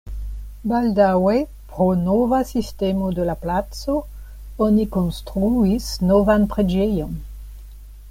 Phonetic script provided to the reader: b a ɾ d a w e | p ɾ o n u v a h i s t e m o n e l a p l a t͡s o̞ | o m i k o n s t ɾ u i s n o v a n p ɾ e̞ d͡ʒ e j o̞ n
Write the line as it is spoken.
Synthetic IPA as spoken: b a l d a w e | p ɾ o n o v a s i s t e m o d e l a p l a t͡s o̞ | o n i k o n s t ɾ u i s n o v a n p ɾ e̞ d͡ʒ e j o̞ n